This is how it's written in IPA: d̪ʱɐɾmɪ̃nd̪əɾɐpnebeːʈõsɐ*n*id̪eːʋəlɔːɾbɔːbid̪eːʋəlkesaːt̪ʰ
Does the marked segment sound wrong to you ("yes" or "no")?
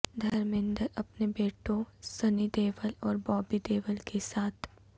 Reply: no